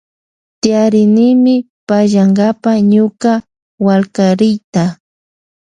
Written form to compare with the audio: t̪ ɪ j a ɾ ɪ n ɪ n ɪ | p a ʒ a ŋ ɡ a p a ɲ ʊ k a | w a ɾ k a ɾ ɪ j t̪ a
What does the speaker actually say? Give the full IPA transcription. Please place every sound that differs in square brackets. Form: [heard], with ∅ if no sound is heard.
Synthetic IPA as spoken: t̪ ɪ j a ɾ ɪ n ɪ [m] ɪ | p a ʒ a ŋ ɡ a p a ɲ ʊ k a | w a [l] k a ɾ ɪ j t̪ a